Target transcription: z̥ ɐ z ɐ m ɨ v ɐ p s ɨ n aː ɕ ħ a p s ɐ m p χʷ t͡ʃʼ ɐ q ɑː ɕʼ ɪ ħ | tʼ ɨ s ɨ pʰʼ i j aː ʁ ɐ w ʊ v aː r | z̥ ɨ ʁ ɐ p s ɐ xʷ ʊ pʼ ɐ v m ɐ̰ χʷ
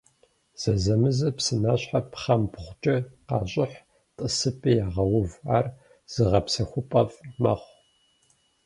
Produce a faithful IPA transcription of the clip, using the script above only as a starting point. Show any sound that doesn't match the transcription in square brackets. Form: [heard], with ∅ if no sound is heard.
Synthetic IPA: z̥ ɐ z ɐ m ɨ [z] ɐ p s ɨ n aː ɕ ħ a p [χ] ɐ m p χʷ t͡ʃʼ ɐ q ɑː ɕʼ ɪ ħ | tʼ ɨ s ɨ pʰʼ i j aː ʁ ɐ w ʊ v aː r | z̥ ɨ ʁ ɐ p s ɐ xʷ ʊ pʼ ɐ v m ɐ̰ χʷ